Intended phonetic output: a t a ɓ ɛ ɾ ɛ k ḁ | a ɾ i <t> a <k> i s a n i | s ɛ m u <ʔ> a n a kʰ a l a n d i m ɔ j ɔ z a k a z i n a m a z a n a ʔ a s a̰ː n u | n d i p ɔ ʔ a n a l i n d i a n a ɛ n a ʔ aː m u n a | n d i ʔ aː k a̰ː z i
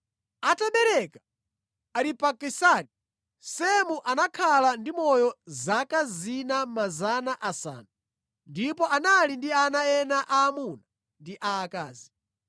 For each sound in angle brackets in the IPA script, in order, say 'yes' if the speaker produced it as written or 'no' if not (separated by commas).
no, yes, yes